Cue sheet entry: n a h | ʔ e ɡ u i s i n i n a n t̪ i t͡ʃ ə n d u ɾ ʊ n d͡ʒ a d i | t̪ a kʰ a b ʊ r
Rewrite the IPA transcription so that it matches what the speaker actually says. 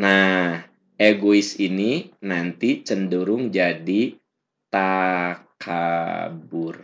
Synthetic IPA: n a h | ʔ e ɡ o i s i n i n a n t̪ i t͡ʃ ə n d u ɾ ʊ ŋ d͡ʒ a d i | t̪ a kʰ a b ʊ r